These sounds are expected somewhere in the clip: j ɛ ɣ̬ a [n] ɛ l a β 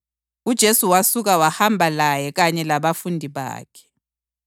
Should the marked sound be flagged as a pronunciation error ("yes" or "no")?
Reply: yes